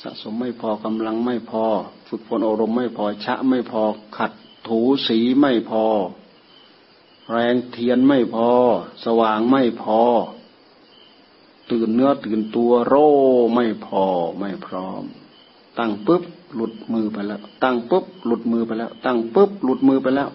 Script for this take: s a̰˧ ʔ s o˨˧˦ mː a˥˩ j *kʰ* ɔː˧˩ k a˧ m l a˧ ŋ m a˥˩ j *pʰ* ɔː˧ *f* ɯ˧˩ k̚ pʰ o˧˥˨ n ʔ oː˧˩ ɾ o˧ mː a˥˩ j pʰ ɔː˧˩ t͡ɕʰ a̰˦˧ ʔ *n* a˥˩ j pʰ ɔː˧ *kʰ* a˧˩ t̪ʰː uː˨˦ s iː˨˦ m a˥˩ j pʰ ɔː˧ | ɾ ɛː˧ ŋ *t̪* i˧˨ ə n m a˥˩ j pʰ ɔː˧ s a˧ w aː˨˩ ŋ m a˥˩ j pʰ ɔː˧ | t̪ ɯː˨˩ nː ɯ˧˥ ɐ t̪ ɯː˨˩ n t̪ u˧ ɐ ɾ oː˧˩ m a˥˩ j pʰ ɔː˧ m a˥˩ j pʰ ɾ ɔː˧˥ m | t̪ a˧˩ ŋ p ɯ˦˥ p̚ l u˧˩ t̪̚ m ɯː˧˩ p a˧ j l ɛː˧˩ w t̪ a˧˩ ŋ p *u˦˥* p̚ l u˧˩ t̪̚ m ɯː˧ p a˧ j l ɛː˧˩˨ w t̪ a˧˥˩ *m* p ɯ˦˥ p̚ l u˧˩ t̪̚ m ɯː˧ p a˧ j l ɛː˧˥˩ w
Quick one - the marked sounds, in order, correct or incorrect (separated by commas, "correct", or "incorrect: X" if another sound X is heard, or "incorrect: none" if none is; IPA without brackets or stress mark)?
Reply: incorrect: pʰ, correct, correct, incorrect: m, correct, incorrect: t̪ʰ, incorrect: ɯ˦˥, incorrect: ŋ